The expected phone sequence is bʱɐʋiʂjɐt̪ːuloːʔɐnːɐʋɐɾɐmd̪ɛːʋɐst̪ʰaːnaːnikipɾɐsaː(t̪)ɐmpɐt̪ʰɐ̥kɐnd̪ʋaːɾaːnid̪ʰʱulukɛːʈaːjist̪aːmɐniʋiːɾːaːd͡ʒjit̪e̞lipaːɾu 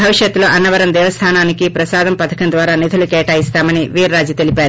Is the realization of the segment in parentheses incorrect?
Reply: yes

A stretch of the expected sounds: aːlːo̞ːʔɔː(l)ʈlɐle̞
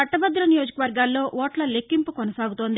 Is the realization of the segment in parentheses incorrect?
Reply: yes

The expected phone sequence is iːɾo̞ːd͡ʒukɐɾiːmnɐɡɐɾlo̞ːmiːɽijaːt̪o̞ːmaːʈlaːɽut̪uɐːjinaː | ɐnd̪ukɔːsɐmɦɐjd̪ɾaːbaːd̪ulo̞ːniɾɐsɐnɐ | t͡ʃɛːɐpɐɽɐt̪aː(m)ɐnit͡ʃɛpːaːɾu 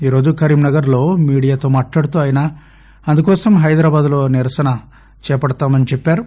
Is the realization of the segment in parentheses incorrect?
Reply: no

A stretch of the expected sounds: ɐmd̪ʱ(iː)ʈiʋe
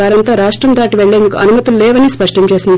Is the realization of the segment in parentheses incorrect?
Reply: yes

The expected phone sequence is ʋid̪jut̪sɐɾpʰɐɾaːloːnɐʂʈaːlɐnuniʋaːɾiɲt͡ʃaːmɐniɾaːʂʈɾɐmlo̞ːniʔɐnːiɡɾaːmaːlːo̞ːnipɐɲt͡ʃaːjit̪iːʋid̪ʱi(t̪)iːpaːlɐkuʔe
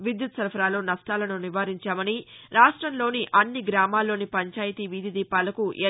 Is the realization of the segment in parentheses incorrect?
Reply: yes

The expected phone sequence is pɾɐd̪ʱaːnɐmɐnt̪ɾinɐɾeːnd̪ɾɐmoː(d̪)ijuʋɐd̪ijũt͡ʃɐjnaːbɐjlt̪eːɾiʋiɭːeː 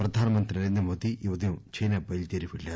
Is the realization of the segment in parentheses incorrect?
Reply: no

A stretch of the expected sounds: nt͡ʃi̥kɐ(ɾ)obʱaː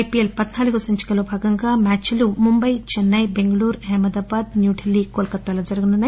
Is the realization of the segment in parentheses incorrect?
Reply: yes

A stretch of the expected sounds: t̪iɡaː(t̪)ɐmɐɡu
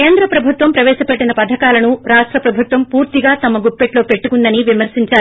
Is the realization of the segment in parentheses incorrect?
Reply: no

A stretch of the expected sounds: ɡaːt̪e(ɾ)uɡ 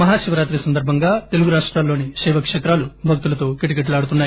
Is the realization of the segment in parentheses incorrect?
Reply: yes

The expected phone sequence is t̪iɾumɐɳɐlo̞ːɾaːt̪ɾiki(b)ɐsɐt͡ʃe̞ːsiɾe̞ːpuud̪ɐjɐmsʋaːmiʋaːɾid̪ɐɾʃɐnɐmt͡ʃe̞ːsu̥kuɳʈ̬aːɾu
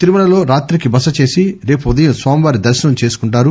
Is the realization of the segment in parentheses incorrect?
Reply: no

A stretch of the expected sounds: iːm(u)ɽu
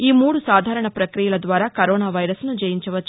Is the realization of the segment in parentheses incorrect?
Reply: yes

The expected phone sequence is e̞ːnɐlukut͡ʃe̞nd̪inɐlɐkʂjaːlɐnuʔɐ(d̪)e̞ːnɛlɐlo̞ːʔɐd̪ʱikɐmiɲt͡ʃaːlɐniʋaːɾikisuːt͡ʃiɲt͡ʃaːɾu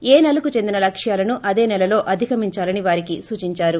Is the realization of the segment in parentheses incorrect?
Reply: no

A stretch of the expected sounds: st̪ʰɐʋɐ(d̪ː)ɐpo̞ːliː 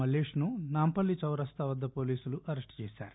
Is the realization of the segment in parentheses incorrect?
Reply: no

